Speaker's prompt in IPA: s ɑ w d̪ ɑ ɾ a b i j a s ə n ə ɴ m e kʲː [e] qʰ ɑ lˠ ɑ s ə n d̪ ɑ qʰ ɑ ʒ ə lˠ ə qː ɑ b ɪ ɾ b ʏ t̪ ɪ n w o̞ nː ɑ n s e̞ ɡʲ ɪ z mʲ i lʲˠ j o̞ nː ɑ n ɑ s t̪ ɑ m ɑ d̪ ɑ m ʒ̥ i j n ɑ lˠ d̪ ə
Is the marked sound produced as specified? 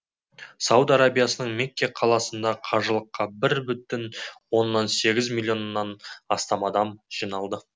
yes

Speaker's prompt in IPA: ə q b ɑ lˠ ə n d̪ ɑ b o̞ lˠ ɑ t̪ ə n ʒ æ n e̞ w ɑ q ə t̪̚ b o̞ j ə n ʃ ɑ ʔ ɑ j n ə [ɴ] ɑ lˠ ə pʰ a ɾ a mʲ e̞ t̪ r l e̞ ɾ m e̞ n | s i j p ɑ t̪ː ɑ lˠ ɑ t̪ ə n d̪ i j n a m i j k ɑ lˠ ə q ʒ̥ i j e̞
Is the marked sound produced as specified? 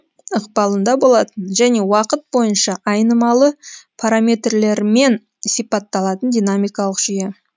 no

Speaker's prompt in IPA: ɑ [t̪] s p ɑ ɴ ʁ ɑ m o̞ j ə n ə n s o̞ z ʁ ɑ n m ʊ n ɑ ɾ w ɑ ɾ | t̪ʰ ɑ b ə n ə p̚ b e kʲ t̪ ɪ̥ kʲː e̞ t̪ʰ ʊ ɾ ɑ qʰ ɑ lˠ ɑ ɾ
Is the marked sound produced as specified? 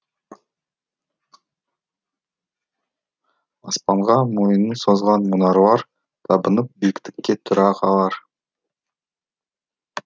no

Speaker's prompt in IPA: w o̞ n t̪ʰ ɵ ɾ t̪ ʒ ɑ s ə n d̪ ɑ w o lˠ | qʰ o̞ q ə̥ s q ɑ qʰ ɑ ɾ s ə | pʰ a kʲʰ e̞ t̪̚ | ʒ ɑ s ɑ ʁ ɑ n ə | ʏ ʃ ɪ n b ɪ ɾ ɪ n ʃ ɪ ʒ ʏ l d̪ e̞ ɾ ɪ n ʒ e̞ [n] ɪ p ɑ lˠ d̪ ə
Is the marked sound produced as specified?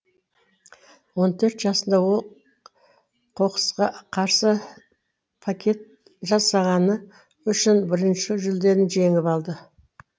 no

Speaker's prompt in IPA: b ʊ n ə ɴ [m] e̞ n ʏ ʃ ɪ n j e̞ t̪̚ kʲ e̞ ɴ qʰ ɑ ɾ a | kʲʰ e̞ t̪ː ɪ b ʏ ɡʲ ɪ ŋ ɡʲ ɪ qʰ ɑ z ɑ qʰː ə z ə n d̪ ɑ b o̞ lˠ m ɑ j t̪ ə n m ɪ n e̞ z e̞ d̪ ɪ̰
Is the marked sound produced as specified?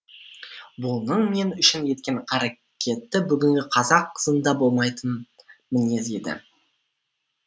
yes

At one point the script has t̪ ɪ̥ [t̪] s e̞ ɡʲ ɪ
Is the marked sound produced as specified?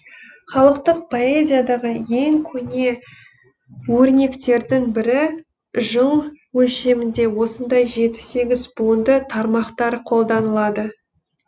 no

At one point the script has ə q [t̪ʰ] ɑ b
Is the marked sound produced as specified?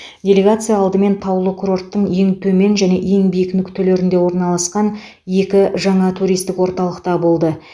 no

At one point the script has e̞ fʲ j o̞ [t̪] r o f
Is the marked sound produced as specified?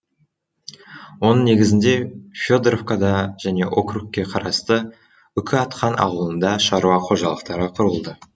no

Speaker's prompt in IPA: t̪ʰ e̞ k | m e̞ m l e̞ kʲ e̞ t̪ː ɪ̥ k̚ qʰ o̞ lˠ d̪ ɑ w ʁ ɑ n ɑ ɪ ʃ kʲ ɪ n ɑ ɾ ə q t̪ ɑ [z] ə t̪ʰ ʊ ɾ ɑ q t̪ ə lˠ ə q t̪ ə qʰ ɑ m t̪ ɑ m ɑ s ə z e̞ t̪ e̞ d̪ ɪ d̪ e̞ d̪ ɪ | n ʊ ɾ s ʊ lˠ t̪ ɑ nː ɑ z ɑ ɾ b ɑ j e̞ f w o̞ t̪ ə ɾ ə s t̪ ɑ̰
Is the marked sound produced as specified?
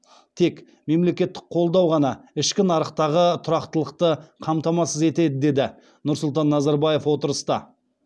no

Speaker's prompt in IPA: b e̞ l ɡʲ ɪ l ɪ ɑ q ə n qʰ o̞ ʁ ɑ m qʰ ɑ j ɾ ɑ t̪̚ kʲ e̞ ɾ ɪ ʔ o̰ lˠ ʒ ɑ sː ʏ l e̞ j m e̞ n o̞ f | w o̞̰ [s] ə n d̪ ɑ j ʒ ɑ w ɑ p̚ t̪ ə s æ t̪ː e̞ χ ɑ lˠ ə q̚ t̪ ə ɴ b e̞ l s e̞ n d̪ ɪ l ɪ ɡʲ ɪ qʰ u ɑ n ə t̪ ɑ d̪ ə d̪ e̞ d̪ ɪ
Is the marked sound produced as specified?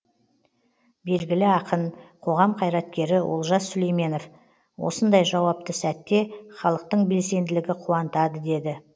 yes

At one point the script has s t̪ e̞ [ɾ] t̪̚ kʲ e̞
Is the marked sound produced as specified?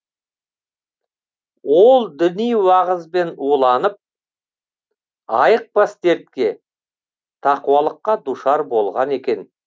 yes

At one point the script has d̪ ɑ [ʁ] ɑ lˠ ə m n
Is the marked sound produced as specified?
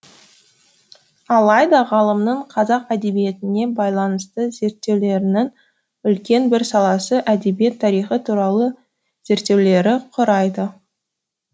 yes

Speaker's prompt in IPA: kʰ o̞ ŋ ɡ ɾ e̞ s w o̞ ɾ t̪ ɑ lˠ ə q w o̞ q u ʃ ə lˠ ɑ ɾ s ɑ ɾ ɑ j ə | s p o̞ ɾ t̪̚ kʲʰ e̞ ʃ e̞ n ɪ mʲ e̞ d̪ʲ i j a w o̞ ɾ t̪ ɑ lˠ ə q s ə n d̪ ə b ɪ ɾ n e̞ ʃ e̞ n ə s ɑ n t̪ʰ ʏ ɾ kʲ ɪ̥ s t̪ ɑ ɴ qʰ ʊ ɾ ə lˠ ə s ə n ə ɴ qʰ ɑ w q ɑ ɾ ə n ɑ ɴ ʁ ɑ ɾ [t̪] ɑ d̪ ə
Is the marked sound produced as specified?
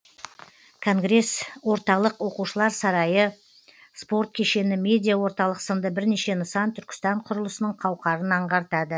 yes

